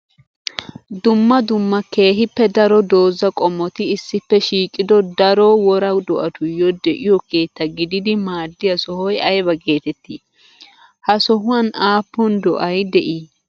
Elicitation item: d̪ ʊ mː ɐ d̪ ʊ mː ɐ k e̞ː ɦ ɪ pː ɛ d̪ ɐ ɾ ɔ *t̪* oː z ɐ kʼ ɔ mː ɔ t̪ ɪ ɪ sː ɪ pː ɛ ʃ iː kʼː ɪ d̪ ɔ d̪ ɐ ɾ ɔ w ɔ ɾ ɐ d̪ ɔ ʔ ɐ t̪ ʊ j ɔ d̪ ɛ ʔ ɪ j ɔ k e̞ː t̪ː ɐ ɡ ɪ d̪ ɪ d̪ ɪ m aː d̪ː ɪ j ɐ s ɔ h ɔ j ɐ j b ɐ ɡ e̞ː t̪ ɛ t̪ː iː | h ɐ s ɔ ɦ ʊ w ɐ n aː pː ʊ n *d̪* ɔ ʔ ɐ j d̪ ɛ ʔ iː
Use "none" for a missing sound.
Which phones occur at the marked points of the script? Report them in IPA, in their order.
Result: d̪, d̪

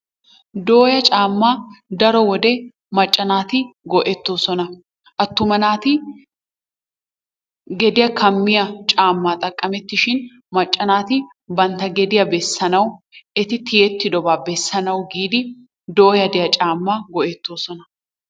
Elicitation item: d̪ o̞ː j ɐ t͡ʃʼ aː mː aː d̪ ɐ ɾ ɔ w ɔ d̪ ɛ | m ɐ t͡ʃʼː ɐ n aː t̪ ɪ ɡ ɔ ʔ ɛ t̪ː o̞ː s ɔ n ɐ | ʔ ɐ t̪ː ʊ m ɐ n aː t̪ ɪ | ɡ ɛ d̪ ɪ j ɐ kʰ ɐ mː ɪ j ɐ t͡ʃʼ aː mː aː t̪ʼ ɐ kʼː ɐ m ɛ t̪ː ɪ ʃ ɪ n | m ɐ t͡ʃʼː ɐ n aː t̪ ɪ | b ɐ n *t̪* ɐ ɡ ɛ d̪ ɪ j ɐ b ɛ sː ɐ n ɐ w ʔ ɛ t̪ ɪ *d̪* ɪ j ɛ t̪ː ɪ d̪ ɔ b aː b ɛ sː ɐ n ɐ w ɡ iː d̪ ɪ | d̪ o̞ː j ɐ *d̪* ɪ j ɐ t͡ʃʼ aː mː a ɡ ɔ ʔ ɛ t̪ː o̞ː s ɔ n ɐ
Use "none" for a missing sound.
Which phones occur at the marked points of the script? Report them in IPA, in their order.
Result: t̪, t̪, d̪

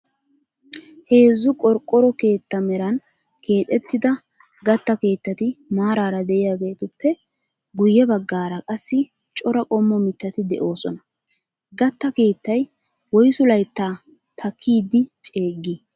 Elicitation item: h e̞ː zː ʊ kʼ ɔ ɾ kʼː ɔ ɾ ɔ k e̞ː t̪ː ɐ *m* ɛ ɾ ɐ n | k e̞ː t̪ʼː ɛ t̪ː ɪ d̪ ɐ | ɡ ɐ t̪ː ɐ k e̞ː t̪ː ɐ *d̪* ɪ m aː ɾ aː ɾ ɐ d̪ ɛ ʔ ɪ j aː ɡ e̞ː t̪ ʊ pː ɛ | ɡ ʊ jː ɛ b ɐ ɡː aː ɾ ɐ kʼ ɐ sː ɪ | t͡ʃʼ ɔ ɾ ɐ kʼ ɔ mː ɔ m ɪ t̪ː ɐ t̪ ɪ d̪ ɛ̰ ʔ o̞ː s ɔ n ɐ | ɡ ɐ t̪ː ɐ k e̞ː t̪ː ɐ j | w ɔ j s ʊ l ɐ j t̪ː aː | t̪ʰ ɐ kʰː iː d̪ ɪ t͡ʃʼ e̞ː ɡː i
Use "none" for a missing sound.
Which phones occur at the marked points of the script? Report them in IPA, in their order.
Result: m, t̪

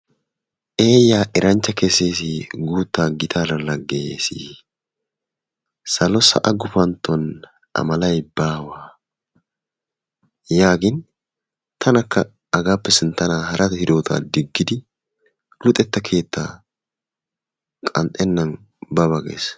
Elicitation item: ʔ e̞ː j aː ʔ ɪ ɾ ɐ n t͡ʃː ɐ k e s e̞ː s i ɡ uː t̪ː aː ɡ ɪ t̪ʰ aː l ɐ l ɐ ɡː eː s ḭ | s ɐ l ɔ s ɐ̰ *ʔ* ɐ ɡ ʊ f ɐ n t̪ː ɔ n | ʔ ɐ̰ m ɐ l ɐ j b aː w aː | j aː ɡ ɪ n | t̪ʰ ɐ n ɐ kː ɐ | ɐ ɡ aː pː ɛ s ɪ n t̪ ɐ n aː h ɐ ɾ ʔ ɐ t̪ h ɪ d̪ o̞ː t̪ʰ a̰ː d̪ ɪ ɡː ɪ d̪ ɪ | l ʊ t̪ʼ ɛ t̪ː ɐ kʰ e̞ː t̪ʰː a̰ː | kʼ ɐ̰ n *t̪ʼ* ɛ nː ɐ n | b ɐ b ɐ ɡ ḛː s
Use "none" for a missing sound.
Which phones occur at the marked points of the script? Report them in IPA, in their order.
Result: ʔ, t̪ʼ

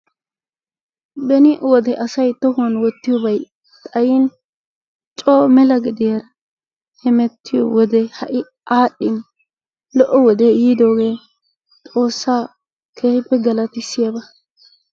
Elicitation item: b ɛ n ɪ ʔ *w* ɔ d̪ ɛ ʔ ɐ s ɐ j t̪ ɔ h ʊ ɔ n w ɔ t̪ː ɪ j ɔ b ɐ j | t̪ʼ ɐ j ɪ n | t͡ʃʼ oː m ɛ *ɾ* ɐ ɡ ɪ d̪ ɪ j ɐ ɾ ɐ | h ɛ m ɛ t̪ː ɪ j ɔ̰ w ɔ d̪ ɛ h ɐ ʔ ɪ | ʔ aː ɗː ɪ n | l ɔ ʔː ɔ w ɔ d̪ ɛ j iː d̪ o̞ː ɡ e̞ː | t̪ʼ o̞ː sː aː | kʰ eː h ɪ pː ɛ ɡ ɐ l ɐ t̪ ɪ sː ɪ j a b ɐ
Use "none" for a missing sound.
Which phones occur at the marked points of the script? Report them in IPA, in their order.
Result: w, l

